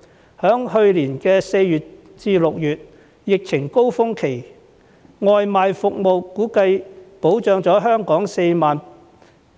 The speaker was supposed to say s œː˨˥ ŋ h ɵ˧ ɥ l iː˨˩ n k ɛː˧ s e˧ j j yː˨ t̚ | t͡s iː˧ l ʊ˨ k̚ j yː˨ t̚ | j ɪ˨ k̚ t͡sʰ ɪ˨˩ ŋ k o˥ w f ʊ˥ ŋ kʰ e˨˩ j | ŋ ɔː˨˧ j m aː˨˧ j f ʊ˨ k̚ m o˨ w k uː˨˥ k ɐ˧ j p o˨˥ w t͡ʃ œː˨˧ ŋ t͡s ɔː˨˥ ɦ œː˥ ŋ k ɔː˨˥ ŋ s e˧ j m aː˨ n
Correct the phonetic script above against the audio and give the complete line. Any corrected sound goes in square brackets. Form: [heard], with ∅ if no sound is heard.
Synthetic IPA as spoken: [h] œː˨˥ ŋ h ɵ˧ ɥ l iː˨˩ n k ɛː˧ s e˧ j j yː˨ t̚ | t͡s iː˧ l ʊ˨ k̚ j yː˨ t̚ | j ɪ˨ k̚ t͡sʰ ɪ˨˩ ŋ k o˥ w f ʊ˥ ŋ kʰ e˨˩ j | ŋ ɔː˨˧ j m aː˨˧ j f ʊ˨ k̚ m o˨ w k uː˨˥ k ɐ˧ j p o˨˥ w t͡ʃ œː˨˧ ŋ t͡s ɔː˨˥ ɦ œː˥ ŋ k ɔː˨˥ ŋ s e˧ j m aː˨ n